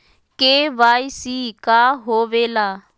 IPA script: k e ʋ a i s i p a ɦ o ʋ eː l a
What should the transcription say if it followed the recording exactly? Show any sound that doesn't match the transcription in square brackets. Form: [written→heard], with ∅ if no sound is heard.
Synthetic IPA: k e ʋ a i s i [p→k] a ɦ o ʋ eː l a